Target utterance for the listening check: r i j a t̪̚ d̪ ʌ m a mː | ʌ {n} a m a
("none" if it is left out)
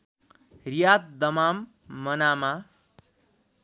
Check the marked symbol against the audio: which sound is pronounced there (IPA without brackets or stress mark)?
n